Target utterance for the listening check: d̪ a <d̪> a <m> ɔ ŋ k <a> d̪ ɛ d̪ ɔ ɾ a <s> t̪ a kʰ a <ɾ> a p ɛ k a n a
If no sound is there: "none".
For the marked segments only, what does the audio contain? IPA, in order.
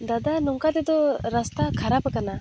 d̪, n, a, s, ɾ

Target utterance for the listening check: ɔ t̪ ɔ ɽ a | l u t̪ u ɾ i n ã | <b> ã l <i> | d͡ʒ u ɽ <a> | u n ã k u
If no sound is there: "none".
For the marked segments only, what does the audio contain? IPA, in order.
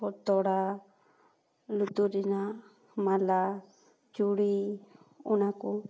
m, a, i

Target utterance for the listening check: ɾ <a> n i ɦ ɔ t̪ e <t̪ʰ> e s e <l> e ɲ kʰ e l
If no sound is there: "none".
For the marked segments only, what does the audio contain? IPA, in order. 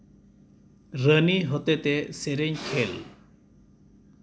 ə, t̪, ɾ

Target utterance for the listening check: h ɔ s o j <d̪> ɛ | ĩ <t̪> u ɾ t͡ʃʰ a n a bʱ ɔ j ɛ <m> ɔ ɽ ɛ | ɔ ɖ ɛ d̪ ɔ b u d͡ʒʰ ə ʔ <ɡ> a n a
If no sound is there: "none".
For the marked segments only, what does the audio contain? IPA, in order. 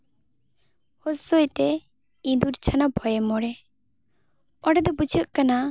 t̪, d̪, m, k

